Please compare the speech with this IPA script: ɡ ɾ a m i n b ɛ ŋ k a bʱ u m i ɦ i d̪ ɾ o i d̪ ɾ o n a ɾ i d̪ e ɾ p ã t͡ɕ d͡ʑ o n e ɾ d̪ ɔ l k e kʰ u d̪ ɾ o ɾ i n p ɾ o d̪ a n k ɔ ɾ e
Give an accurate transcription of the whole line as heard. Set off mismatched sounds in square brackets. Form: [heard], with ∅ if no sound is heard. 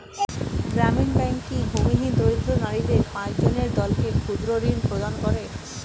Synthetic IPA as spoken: ɡ ɾ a m i n b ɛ ŋ k [i] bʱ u m i ɦ i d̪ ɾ o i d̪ ɾ o n a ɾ i d̪ e ɾ p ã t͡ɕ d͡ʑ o n e ɾ d̪ ɔ l k e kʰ u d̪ ɾ o ɾ i n p ɾ o d̪ a n k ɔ ɾ e